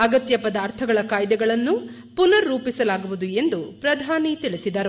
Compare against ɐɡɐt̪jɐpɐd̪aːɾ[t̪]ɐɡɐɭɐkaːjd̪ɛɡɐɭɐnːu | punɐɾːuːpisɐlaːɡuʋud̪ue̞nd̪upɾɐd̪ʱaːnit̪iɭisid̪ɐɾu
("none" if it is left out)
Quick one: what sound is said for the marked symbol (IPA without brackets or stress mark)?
t̪ʰ